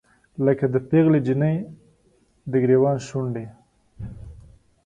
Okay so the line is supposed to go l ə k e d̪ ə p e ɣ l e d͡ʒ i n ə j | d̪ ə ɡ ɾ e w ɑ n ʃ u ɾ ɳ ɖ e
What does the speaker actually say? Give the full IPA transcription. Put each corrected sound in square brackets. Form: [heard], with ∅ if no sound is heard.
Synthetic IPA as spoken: l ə k [a] d̪ ə p e ɣ l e d͡ʒ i n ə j | d̪ ə ɡ ɾ e w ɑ n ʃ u [∅] ɳ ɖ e